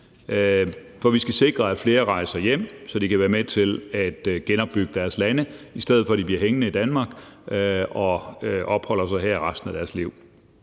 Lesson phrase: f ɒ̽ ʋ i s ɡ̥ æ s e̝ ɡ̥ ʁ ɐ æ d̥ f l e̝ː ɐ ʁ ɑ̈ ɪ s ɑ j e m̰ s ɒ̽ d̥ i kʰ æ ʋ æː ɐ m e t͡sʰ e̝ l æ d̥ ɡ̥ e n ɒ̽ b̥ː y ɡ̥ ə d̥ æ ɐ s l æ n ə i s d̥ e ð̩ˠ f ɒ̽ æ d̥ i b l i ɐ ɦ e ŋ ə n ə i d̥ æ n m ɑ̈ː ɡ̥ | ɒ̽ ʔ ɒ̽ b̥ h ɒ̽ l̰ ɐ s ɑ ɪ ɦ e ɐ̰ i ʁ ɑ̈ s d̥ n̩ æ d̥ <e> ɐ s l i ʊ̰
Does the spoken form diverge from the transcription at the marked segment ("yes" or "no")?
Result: yes